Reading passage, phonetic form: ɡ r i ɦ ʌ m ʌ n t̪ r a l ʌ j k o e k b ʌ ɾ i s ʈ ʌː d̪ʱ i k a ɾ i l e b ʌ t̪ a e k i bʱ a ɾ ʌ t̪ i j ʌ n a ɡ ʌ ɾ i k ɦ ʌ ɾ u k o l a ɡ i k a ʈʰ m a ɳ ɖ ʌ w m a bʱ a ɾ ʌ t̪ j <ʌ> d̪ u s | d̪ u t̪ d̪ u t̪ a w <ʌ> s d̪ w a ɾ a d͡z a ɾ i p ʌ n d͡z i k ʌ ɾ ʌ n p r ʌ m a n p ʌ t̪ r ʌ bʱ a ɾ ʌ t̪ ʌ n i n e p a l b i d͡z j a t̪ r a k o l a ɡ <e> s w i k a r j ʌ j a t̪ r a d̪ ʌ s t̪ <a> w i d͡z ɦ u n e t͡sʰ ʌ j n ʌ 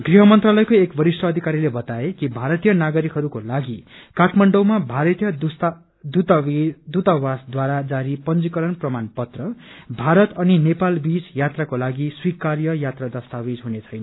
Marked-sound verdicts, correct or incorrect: correct, incorrect: a, incorrect: i, correct

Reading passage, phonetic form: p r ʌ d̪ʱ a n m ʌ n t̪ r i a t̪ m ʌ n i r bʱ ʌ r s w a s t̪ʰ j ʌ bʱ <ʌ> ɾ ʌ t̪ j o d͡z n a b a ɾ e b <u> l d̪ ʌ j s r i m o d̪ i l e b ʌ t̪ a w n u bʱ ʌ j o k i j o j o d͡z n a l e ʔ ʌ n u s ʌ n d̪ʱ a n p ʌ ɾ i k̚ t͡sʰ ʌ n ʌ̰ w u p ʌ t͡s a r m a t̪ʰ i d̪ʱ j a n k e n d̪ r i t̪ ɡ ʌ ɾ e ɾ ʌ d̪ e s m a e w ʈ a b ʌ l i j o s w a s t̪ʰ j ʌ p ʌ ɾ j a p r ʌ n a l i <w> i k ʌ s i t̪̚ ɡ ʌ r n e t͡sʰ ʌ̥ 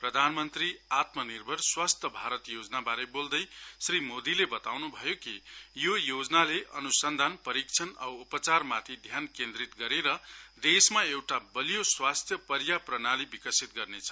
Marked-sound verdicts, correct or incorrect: incorrect: a, incorrect: o, incorrect: b

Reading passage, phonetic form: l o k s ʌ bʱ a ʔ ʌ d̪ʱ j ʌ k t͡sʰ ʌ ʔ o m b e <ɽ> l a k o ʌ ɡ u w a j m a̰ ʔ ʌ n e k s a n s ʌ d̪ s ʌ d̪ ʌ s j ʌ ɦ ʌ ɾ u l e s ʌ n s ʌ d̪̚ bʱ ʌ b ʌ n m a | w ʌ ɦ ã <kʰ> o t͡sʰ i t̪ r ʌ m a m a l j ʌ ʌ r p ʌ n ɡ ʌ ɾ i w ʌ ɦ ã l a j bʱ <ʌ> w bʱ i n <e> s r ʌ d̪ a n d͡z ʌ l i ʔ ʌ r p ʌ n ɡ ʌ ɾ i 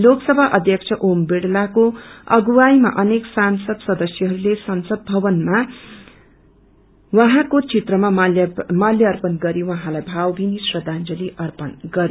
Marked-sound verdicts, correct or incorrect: correct, incorrect: k, incorrect: a, incorrect: i

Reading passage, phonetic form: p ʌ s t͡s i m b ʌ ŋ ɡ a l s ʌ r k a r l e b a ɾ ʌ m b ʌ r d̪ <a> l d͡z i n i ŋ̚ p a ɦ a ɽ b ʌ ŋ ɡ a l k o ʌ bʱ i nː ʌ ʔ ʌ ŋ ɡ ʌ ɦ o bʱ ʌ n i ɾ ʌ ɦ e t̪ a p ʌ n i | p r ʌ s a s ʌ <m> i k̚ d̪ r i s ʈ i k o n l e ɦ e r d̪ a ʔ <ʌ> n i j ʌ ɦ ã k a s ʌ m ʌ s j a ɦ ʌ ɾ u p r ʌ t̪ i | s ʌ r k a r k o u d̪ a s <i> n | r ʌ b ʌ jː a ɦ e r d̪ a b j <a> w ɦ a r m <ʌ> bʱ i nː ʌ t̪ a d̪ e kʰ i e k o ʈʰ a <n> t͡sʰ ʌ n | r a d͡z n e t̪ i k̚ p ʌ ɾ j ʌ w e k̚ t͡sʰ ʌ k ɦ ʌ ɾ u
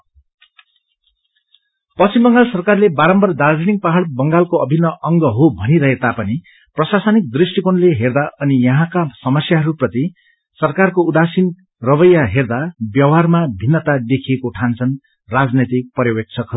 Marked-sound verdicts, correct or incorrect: correct, incorrect: n, correct, correct, incorrect: ʌ, incorrect: a, correct

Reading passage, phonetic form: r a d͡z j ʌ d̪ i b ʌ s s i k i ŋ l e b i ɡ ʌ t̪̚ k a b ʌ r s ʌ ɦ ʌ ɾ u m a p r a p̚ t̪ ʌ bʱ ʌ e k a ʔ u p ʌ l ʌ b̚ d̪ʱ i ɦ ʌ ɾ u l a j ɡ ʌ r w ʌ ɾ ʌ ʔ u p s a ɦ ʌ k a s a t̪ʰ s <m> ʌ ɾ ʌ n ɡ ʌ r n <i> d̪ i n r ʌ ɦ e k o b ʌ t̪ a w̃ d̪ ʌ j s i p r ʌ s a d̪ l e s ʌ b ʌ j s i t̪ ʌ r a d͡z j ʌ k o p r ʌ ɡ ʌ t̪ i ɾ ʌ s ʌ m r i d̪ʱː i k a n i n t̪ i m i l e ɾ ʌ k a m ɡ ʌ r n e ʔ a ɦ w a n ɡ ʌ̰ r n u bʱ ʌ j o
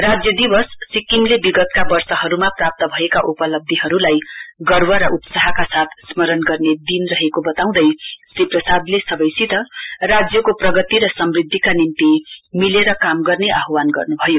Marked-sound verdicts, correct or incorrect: correct, incorrect: e

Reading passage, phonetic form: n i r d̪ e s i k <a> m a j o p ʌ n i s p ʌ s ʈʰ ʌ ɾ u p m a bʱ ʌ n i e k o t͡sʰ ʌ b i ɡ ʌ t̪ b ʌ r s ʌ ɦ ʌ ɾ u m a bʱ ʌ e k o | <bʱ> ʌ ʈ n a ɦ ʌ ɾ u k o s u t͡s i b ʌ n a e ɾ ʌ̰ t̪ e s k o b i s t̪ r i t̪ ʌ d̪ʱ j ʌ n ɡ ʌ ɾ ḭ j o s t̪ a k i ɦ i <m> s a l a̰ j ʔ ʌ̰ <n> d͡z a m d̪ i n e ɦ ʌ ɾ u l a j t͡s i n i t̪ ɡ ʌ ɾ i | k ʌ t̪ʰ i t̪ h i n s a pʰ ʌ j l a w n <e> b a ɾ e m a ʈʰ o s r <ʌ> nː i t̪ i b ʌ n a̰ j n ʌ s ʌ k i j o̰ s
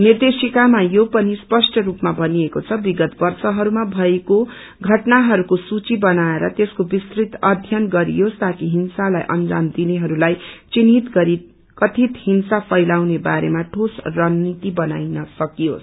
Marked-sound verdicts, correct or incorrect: correct, incorrect: ɡʱ, incorrect: n, correct, correct, correct

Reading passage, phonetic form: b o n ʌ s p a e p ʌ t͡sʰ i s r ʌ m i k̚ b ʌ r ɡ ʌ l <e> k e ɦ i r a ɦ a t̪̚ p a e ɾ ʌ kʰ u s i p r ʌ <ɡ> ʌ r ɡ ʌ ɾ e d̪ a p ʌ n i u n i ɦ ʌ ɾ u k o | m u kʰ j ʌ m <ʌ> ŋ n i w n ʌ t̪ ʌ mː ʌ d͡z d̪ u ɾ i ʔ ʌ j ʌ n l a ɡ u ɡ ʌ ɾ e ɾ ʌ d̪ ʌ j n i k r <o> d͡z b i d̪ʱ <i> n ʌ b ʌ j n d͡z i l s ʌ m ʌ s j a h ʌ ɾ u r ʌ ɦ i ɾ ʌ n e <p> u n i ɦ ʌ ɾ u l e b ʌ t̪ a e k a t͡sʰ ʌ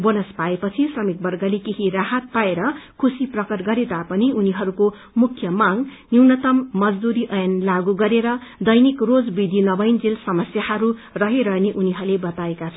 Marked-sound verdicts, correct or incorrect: correct, incorrect: k, incorrect: a, correct, correct, incorrect: ʔ

